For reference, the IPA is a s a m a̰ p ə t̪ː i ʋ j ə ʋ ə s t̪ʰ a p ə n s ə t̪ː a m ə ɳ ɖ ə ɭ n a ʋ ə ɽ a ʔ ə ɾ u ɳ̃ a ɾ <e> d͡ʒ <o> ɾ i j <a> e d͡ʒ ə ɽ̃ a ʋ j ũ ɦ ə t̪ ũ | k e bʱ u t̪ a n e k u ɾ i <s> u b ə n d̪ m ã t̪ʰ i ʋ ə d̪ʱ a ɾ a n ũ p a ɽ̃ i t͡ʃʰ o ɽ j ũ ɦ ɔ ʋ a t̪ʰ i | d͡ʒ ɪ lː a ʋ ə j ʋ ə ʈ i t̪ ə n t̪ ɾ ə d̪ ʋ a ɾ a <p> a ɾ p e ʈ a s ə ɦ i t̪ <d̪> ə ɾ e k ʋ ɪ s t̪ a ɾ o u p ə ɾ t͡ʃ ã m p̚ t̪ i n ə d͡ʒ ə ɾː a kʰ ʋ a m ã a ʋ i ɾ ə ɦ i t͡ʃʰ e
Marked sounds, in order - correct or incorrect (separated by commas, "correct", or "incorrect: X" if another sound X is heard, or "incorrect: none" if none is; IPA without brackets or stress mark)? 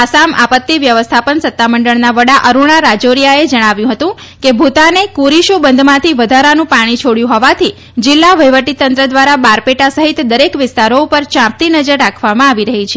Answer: incorrect: a, correct, correct, incorrect: ʃ, incorrect: b, correct